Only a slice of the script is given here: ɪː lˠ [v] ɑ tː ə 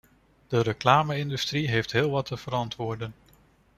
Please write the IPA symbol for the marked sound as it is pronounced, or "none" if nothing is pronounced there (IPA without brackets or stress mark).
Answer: ʋ